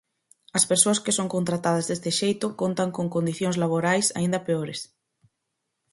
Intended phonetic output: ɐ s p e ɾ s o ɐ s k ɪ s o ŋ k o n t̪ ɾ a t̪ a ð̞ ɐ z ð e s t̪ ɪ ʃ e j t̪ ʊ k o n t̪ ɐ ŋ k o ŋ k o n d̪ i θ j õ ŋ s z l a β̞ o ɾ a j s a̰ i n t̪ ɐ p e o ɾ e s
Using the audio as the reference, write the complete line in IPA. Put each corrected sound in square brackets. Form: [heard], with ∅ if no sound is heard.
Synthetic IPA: ɐ s p e ɾ s o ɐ s k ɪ s o ŋ k o n t̪ ɾ a t̪ a ð̞ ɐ z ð e s t̪ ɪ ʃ e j t̪ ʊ k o n t̪ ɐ ŋ k o ŋ k o n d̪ i θ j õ ŋ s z l a β̞ o ɾ a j s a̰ i n [d̪] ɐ p e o ɾ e s

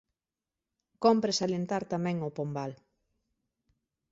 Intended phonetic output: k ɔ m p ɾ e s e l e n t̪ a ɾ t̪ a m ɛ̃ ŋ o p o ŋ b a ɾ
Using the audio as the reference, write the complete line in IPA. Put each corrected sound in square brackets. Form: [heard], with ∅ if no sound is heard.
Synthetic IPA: k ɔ m p ɾ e s [a] l e n t̪ a ɾ t̪ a m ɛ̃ ŋ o p o [m] b a [l]

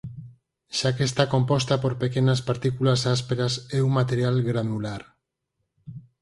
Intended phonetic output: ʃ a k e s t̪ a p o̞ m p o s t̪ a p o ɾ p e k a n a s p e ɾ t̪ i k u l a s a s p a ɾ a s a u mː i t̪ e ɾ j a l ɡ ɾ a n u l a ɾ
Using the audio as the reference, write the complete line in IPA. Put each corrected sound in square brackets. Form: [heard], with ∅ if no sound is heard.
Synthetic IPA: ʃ a k e s t̪ a [k] o̞ m p o s t̪ a p o ɾ p e k [e] n a s p [a] ɾ t̪ i k u l a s a s p [e] ɾ a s [e] u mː [a] t̪ e ɾ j a l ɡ ɾ a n u l a ɾ

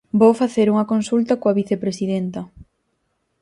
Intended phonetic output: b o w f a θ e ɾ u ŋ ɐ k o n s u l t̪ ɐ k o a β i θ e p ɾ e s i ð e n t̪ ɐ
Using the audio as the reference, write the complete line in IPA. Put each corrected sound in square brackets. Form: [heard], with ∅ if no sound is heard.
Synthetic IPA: b o w f a θ e ɾ u ŋ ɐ k o n s u l t̪ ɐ k o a β i θ e p ɾ e s i ð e n t̪ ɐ

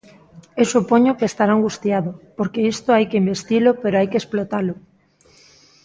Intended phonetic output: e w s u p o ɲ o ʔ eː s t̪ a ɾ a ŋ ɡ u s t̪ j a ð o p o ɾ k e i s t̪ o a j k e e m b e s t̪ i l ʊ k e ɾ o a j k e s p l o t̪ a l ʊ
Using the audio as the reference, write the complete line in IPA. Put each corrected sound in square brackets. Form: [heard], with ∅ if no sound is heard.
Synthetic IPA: e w s u p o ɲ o [k] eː s t̪ a ɾ a ŋ ɡ u s t̪ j a ð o p o ɾ k e i s t̪ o a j k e [i] m b e s t̪ i l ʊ [p] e ɾ o a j k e s p l o t̪ a l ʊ

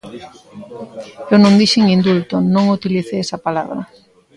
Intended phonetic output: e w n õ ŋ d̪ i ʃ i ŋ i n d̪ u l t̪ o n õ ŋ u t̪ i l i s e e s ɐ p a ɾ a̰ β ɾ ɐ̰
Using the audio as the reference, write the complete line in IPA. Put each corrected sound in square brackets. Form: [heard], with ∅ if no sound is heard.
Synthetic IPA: e w n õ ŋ d̪ i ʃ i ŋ i n d̪ u l t̪ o n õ ŋ u t̪ i l i [θ] e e s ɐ p a [l] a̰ β ɾ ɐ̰

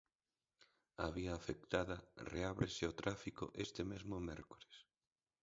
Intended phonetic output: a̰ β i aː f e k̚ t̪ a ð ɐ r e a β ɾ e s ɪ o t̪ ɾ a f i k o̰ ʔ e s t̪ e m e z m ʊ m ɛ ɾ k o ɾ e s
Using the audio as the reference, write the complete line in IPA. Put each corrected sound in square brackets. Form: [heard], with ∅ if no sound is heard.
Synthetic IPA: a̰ β i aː f e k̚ t̪ a ð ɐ r e a β ɾ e s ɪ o t̪ ɾ a f i k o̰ ʔ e s t̪ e m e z m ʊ m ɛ ɾ k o ɾ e s

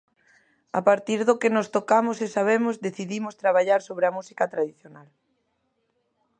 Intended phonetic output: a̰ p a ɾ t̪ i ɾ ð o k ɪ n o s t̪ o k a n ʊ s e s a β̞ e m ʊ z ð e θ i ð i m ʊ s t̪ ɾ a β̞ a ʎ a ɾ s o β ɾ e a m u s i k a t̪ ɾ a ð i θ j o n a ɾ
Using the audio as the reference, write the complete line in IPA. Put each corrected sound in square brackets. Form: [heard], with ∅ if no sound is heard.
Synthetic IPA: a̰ p a ɾ t̪ i ɾ ð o k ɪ n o s t̪ o k a [m] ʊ s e s a β̞ e m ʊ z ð e θ i ð i m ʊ s t̪ ɾ a β̞ a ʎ a ɾ s o β ɾ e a m u s i k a t̪ ɾ a ð i θ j o n a [l]

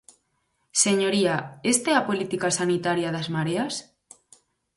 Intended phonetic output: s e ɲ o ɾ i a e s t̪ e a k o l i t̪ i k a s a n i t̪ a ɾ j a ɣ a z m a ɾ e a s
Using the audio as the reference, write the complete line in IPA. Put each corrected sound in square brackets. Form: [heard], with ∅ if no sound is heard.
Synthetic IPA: s e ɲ o ɾ i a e s t̪ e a [p] o l i t̪ i k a s a n i t̪ a ɾ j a [ð] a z m a ɾ e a s

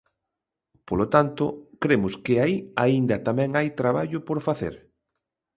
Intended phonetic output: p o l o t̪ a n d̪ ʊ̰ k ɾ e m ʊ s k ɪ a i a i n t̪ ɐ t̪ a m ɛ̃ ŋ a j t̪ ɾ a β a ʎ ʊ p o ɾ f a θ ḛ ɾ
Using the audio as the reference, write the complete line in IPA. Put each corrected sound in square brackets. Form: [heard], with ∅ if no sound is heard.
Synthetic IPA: p o l o t̪ a n [t̪] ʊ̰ k ɾ e m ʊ s k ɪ a i a i n [d̪] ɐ t̪ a m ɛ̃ ŋ a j t̪ ɾ a β a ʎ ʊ p o ɾ f a θ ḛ ɾ

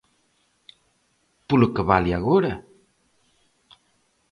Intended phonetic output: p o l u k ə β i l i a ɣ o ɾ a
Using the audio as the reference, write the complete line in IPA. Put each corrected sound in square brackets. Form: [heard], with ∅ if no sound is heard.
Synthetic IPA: p [u] l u k ə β [a] l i a ɣ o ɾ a

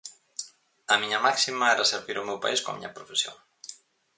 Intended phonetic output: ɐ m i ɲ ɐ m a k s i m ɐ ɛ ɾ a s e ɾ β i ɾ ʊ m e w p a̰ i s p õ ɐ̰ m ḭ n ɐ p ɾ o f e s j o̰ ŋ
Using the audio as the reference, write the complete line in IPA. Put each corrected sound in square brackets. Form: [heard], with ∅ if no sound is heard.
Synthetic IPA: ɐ m i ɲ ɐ m a k s i m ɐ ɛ ɾ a s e ɾ β i ɾ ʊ m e w p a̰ i s [k] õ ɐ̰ m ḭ [ɲ] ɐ p ɾ o f e s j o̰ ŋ

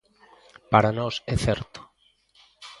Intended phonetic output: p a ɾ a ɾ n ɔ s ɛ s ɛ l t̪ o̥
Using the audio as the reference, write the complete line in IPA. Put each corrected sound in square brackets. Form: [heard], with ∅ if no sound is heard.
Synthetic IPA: p a ɾ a [∅] n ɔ s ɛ [θ] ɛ [ɾ] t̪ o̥

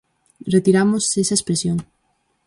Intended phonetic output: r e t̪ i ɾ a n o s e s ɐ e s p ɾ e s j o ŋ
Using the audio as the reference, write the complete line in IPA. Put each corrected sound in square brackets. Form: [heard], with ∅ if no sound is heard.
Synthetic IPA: r e t̪ i ɾ a [m] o s e s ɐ e s p ɾ e s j o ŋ

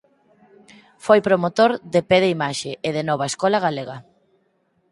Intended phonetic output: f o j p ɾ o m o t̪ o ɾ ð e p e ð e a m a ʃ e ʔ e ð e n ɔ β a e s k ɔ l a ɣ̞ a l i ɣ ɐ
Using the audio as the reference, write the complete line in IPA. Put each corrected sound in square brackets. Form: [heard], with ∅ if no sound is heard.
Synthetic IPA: f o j p ɾ o m o t̪ o ɾ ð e p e ð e [i] m a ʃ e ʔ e ð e n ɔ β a e s k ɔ l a ɣ̞ a l [e] ɣ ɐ

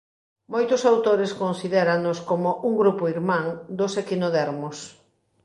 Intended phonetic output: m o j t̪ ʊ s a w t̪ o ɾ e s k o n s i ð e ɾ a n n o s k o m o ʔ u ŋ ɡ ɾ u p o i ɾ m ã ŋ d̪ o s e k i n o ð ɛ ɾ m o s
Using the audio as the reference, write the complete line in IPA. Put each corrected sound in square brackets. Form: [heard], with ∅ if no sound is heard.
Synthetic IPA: m o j t̪ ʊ s a w t̪ o ɾ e s k o n s i ð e ɾ a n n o s k o m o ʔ u ŋ ɡ ɾ u p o i ɾ m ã ŋ d̪ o s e k i n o ð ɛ ɾ m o s

